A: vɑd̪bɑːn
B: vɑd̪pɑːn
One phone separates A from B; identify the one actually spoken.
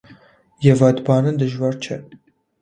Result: A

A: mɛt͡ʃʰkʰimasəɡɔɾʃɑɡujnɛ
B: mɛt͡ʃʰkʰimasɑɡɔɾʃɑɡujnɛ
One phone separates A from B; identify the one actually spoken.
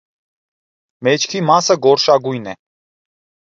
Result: A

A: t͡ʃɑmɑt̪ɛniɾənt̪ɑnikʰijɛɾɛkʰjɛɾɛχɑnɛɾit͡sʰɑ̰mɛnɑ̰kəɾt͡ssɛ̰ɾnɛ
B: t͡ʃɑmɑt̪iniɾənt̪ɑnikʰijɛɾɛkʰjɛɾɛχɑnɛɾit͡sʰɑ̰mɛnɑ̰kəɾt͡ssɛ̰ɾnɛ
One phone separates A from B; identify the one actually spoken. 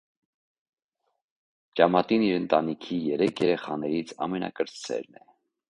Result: B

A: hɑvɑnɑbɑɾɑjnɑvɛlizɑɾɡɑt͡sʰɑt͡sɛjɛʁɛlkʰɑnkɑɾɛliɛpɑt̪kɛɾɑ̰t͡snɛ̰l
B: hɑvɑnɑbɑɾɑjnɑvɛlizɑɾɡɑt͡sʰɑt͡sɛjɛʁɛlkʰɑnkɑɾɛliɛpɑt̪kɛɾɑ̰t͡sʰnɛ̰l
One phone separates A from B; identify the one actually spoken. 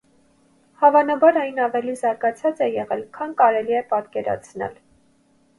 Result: B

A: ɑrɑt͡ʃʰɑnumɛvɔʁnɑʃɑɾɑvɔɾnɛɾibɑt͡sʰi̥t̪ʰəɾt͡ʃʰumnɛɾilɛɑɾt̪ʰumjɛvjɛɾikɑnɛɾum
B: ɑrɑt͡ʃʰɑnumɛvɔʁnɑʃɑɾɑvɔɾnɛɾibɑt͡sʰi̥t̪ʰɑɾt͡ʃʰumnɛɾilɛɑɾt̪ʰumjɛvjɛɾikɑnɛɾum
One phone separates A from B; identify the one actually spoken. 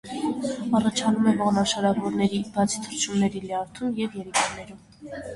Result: A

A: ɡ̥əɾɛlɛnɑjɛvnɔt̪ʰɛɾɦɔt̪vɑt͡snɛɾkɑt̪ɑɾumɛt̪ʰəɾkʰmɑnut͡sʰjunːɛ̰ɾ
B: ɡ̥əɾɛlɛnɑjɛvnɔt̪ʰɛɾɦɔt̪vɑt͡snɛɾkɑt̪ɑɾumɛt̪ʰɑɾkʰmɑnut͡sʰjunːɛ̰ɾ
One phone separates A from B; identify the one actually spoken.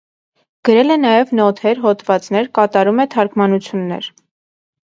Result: B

